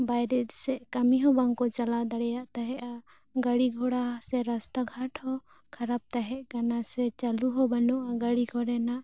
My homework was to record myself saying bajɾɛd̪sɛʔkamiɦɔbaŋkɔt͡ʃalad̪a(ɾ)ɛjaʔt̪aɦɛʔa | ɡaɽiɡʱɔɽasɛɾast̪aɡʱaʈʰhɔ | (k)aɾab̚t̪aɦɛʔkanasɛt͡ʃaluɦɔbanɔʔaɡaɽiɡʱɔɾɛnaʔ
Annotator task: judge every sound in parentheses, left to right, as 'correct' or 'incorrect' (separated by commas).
incorrect, incorrect